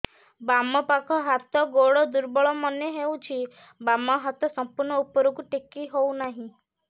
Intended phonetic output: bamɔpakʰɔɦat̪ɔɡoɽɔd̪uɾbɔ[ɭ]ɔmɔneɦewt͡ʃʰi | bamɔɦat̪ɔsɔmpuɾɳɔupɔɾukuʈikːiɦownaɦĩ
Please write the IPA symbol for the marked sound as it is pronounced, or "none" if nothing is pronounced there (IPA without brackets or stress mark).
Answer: ɭ